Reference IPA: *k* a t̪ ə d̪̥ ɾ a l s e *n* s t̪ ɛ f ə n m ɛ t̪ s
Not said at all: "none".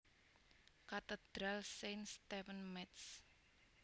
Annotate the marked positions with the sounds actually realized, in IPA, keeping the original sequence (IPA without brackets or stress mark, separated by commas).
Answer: k, n